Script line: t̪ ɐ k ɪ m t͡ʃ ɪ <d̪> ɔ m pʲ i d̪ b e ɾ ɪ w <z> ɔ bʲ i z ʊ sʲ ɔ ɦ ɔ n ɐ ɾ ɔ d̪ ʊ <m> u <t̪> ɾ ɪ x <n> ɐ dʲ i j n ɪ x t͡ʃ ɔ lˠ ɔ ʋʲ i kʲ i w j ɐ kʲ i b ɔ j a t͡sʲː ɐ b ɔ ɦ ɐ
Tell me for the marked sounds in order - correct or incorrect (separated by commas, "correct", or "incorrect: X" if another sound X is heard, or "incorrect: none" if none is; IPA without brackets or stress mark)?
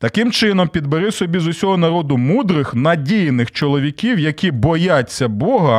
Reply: incorrect: n̪, incorrect: s, correct, incorrect: d̪, correct